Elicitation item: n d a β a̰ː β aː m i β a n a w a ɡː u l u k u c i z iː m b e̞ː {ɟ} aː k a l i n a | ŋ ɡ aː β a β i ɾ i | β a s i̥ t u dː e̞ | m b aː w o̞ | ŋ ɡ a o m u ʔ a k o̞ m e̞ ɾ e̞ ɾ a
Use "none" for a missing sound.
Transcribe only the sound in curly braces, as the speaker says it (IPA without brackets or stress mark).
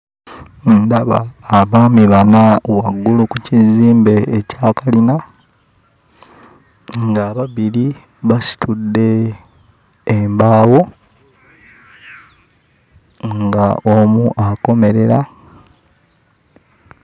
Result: c